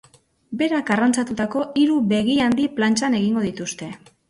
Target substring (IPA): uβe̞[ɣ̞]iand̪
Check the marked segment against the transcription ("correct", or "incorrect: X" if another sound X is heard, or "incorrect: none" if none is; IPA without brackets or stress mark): correct